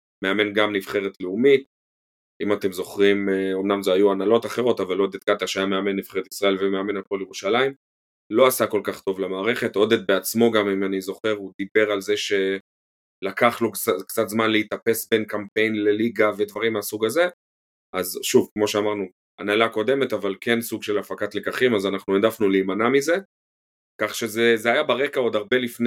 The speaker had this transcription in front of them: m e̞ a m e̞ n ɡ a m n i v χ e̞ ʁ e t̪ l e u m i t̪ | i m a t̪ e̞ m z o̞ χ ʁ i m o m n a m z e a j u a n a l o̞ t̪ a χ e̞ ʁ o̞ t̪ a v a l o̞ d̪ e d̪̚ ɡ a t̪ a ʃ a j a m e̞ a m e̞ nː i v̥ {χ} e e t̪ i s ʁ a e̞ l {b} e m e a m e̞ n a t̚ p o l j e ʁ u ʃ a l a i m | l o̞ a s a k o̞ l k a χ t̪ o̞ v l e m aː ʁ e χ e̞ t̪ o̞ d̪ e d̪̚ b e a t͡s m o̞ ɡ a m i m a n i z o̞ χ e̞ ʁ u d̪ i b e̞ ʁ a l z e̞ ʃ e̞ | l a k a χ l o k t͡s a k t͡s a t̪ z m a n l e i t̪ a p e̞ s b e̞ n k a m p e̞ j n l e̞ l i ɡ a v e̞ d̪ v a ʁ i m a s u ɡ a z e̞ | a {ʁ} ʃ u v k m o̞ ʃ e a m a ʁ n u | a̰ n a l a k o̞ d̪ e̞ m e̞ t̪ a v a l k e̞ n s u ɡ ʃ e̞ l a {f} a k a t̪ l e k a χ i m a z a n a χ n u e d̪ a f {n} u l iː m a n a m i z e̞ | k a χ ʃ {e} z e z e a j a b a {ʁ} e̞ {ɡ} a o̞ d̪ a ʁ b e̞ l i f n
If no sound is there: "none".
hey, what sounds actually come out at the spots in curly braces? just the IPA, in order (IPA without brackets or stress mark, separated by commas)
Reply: χ, v, z, f, n, e, ʁ, k